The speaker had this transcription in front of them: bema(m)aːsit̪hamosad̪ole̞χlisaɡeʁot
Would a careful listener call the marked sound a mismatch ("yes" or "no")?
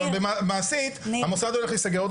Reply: no